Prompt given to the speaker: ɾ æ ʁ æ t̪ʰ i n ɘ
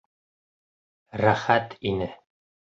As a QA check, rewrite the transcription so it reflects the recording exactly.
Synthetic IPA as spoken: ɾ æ χ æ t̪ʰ i n ɘ